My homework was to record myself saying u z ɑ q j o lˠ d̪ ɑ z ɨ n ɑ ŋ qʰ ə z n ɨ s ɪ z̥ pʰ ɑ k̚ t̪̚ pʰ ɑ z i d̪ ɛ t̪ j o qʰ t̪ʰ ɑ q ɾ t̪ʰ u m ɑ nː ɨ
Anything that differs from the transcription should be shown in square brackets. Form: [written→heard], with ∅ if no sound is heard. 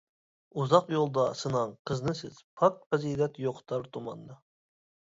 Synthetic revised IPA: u z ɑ q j o lˠ d̪ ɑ [z→s] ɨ n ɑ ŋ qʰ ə z n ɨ s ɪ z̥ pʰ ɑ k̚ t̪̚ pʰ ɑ z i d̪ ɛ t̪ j o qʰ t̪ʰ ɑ [q→∅] ɾ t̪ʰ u m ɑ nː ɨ